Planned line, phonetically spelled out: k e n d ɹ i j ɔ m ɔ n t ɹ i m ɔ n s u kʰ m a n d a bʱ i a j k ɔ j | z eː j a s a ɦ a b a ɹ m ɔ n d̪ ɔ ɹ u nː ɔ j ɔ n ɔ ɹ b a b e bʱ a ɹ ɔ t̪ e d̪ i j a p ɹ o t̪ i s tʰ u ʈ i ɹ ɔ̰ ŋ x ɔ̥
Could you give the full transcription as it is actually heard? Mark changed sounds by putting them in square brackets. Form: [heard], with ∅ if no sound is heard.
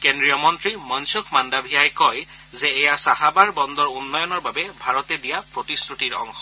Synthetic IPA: k e n d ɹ i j ɔ m ɔ n t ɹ i m ɔ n s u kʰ m a n d a bʱ i a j k ɔ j | z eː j a s a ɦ a b a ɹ [b] ɔ n d̪ ɔ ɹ u nː ɔ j ɔ n ɔ ɹ b a b e bʱ a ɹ ɔ t̪ e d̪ i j a p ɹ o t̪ i s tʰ u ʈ i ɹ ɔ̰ ŋ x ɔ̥